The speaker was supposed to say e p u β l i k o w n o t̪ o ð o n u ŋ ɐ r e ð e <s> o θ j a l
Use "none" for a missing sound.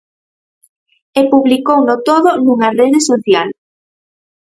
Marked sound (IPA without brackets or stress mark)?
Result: s